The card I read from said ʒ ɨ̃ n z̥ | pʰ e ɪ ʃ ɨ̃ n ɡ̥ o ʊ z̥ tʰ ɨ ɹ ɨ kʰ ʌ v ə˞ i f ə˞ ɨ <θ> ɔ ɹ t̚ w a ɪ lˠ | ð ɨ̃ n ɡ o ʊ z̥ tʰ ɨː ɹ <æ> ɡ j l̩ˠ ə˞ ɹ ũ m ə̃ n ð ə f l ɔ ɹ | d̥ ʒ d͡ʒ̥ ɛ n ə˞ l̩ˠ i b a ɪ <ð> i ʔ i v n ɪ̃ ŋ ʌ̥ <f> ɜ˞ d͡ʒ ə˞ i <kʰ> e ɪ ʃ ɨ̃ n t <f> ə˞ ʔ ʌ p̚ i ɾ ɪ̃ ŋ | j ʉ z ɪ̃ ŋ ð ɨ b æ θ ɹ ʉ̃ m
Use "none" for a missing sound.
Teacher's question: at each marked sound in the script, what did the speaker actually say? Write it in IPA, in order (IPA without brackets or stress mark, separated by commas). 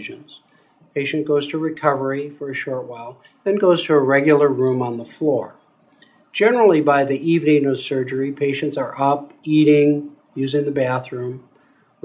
ʃ, ɛ, ð, s, pʰ, s